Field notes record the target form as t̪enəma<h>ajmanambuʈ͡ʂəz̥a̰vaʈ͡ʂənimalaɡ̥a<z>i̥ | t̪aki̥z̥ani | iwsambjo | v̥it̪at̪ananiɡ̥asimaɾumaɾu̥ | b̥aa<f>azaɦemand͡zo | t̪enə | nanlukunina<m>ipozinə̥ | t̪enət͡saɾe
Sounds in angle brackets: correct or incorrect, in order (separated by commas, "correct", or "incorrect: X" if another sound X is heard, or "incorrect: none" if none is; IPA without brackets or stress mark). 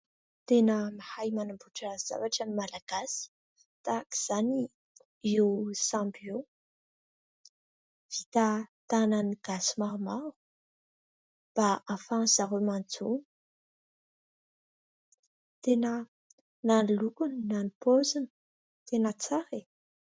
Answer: correct, incorrect: s, correct, incorrect: n